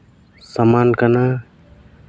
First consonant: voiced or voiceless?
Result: voiceless